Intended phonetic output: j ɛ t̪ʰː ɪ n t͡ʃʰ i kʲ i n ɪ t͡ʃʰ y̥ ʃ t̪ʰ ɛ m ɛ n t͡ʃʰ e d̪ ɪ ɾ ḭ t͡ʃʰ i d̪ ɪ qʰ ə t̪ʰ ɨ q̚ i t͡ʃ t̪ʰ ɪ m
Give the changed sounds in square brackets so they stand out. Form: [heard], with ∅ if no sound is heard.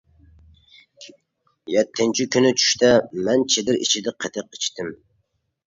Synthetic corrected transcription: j ɛ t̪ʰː ɪ n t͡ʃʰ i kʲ [y] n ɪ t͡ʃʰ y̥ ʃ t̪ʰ ɛ m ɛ n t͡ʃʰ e d̪ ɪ ɾ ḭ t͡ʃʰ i d̪ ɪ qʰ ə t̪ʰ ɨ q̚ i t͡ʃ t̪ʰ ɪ m